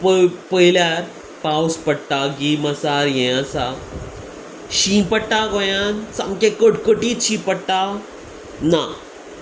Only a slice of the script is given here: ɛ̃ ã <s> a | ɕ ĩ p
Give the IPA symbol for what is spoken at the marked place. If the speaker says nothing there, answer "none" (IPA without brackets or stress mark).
s